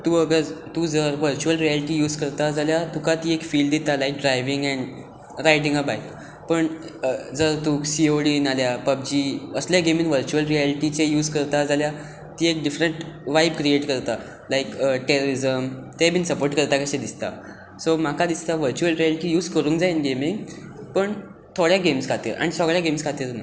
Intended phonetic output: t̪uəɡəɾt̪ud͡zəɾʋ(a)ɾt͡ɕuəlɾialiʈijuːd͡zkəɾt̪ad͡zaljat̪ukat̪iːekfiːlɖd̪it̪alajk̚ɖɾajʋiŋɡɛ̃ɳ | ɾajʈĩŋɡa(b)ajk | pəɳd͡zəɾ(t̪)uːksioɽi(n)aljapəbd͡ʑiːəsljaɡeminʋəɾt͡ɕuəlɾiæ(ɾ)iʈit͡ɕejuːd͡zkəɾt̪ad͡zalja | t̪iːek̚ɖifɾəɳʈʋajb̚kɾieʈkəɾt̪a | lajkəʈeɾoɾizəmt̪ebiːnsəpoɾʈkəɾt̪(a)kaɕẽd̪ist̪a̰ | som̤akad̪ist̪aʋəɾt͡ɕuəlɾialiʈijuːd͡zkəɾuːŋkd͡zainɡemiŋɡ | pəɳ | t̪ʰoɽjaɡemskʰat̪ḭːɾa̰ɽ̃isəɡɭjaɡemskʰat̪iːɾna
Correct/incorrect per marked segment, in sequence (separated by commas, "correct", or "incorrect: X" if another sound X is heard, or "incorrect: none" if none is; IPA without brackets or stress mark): incorrect: ə, correct, correct, correct, incorrect: l, correct